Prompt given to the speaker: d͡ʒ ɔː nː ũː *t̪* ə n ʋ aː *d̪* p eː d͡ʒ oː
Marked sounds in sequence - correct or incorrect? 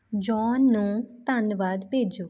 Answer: correct, correct

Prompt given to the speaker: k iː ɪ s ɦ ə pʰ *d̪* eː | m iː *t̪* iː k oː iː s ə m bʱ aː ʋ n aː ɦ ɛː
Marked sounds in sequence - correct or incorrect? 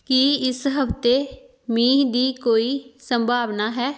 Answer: incorrect, incorrect

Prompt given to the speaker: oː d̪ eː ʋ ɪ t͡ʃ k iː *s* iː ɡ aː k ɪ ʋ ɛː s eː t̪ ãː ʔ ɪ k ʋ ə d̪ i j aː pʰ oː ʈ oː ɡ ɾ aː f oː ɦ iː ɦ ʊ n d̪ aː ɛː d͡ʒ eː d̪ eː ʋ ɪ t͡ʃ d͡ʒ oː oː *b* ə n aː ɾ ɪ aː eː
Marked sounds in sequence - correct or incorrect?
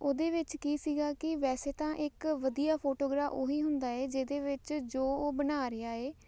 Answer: correct, correct

